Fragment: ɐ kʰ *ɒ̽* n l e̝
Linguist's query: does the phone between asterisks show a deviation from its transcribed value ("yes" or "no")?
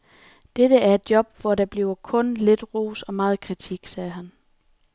yes